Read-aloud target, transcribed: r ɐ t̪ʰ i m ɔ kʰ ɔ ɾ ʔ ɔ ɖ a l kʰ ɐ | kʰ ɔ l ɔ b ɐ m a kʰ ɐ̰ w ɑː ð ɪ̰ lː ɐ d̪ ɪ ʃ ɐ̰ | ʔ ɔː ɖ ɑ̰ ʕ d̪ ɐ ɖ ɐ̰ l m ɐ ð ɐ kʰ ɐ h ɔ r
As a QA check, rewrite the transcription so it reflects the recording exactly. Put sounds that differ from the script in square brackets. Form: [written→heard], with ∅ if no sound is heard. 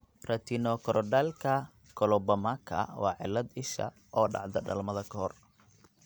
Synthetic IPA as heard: r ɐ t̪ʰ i [m→n] ɔ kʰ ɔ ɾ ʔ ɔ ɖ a l kʰ ɐ | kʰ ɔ l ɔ b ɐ m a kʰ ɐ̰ w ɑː [ð→ʕ] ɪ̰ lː ɐ d̪ ɪ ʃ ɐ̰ | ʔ ɔː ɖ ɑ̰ ʕ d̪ ɐ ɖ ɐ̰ l m ɐ ð ɐ kʰ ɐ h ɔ r